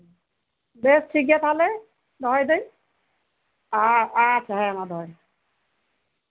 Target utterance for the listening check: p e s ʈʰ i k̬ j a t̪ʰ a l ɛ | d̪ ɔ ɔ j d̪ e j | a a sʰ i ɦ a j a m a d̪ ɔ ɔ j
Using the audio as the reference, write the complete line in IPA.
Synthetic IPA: b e s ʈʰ i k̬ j a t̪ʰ a l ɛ | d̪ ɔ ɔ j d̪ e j | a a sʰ a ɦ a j a m a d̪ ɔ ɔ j